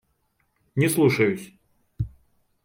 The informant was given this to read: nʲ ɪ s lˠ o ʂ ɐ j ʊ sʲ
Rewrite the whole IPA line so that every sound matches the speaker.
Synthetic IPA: nʲ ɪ s lˠ u ʂ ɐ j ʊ sʲ